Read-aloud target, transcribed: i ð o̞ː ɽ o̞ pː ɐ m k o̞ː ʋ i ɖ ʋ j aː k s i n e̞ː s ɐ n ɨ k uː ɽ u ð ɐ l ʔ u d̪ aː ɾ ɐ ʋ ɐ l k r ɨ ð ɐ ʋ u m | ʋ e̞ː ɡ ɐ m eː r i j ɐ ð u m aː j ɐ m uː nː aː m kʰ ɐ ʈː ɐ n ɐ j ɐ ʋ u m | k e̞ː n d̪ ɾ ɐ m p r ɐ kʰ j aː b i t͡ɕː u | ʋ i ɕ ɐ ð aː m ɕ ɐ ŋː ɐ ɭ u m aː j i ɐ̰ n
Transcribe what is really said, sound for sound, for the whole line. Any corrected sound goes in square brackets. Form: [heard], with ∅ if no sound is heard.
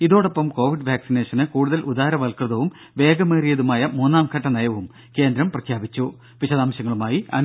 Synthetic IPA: i ð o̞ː ɽ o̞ pː ɐ m k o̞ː ʋ i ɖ ʋ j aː k s i n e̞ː [ʂ] ɐ n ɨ k uː ɽ u ð ɐ l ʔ u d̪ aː ɾ ɐ ʋ ɐ l k r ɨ ð ɐ ʋ u m | ʋ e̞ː ɡ ɐ m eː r i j ɐ ð u m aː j ɐ m uː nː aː m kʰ ɐ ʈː ɐ n ɐ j ɐ ʋ u m | k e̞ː n d̪ ɾ ɐ m p r ɐ kʰ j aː b i t͡ɕː u | ʋ i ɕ ɐ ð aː m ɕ ɐ ŋː ɐ ɭ u m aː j i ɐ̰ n